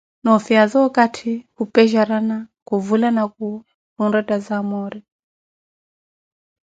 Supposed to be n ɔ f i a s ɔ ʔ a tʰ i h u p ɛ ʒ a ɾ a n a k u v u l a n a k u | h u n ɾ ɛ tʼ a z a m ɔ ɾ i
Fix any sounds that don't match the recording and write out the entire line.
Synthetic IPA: n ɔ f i a z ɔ k a tʰ i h u p ɛ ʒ a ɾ a n a k u v u l a n a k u | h u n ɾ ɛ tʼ a z a m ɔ ɾ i

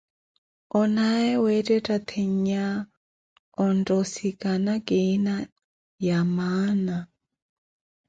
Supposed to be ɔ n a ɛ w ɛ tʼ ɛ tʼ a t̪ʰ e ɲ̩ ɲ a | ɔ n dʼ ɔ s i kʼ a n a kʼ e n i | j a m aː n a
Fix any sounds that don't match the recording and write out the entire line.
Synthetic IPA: ɔ n a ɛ w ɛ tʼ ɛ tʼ a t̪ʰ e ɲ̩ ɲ a | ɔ n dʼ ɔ s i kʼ a n a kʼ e n a | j a m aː n a

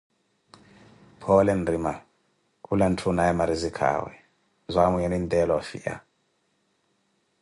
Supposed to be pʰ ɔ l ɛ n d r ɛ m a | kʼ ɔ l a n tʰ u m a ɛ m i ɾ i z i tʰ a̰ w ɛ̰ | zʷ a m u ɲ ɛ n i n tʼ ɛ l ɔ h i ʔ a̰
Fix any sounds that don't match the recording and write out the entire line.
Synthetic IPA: pʰ ɔ l ɛ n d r i m a | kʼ u l a n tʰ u n a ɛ m a ɾ i z i kʰ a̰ w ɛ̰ | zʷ a m u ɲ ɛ n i n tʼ ɛ l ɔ f i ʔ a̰

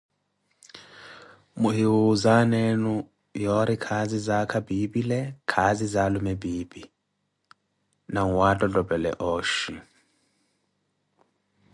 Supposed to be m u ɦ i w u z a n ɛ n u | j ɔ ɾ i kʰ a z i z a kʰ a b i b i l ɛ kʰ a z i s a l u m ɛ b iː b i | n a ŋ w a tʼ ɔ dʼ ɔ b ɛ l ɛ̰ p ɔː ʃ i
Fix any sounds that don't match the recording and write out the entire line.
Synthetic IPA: m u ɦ i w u z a n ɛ n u | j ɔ ɾ i kʰ a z i z a kʰ a b i b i l ɛ kʰ a z i z a l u m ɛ b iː b i | n a ŋ w a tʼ ɔ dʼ ɔ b ɛ l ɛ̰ ʔ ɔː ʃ i

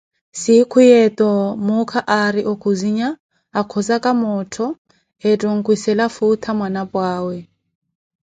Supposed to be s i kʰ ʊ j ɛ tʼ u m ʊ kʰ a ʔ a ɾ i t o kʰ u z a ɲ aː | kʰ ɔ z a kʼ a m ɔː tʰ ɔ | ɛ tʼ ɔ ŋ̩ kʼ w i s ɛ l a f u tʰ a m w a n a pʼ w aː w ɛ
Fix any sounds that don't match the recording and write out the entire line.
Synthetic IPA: s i kʰ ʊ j ɛ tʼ ɔ m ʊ kʰ a ʔ a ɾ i ʔ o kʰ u z i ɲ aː | kʰ ɔ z a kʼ a m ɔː tʰ ɔ | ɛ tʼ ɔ ŋ̩ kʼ w i s ɛ l a f u tʰ a m w a n a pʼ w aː w ɛ

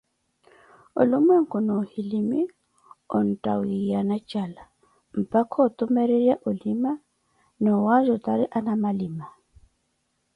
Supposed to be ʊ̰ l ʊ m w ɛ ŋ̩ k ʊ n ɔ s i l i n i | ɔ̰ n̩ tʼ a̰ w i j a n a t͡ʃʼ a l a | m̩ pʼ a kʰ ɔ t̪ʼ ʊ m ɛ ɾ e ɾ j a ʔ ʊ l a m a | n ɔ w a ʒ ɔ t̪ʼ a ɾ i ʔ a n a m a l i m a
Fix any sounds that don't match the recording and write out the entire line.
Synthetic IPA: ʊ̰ l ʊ m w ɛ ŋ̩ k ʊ n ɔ h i l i m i | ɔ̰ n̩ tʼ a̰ w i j a n a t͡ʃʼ a l a | m̩ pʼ a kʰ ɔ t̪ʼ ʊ m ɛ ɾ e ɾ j a ʔ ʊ l i m a | n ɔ w a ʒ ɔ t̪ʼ a ɾ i ʔ a n a m a l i m a

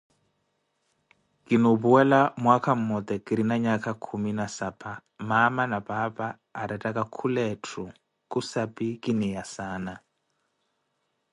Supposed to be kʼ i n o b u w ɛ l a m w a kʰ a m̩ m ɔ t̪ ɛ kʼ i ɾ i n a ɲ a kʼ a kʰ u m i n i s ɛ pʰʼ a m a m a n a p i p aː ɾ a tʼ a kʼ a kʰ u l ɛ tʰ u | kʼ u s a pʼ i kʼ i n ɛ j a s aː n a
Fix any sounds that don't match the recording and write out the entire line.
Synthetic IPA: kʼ i n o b u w ɛ l a m w a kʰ a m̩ m ɔ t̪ ɛ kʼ i ɾ i n a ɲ a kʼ a kʰ u m i n a s a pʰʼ a m a m a n a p a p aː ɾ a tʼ a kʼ a kʰ u l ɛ tʰ u | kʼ u s a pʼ i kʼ i n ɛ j a s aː n a

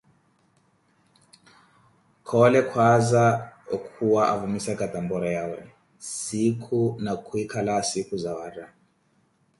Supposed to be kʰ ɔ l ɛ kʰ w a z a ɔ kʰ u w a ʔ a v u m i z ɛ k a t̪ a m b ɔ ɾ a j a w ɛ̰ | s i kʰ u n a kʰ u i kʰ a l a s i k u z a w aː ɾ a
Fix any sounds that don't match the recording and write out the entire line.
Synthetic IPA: kʰ ɔ l ɛ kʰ w a z a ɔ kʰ u w a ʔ a v u m i s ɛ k a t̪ a m b ɔ ɾ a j a w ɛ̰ | s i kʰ u n a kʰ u i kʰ a l a s i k u z a w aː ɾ a

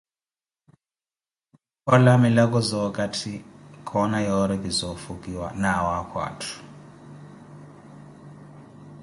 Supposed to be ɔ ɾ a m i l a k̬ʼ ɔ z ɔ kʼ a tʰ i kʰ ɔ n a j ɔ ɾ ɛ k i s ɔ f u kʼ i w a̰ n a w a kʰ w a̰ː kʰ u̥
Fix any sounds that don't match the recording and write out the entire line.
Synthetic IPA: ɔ l a m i l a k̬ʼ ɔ z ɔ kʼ a tʰ i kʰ ɔ n a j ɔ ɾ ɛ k i z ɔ f u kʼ i w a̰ n a w a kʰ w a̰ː tʰ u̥

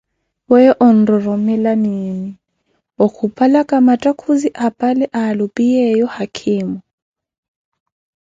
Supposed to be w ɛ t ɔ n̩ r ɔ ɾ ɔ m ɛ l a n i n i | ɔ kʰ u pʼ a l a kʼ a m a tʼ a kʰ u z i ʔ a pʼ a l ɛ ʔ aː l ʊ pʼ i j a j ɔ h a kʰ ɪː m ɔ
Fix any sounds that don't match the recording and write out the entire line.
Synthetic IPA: w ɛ ʔ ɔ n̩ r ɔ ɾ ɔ m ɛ l a n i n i | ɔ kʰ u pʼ a l a kʼ a m a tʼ a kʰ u z i ʔ a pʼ a l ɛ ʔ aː l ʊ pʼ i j ɛ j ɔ h a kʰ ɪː m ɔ

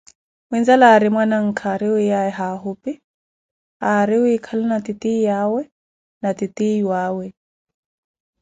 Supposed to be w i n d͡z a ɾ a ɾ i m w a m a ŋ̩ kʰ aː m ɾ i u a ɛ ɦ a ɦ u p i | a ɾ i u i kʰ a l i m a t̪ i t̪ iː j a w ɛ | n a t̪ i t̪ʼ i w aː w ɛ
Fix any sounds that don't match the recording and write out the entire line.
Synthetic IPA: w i n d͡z a l a ɾ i m w a n a ŋ̩ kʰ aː ɾ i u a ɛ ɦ a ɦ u p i | a ɾ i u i kʰ a l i n a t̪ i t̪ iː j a w ɛ | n a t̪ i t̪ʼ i w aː w ɛ

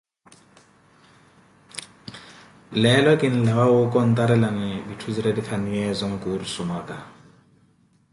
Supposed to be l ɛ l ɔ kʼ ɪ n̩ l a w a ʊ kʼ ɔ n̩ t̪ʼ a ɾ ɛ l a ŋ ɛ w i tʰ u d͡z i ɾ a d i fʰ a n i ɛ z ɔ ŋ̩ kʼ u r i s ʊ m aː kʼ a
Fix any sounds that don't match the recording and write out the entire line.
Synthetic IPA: l ɛ l ɔ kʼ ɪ n̩ l a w a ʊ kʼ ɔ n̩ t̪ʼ a ɾ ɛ l a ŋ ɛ b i tʰ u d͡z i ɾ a d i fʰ a n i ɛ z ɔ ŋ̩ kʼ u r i s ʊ m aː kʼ a

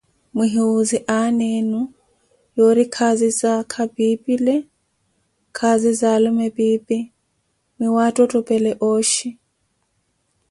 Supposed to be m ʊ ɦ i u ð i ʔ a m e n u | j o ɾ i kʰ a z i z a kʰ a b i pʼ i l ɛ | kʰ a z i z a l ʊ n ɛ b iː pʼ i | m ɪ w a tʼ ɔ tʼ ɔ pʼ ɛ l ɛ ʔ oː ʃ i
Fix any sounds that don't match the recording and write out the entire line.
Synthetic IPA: m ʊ ɦ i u z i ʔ a n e n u | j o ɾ i kʰ a z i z a kʰ a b i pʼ i l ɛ | kʰ a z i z a l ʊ m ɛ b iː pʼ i | m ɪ w a tʼ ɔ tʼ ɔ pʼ ɛ l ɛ ʔ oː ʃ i

